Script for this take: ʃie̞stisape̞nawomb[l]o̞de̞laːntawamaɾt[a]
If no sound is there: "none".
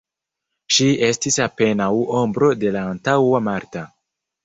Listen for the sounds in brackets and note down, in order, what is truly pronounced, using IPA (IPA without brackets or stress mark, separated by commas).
ɾ, a